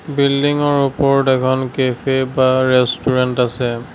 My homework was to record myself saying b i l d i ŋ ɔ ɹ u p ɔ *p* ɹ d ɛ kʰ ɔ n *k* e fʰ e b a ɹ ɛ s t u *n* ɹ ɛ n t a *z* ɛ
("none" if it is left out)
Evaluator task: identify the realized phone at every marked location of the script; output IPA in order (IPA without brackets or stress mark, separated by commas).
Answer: none, k, none, s